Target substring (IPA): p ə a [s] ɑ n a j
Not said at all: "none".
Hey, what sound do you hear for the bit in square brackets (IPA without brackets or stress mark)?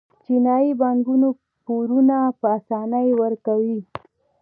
s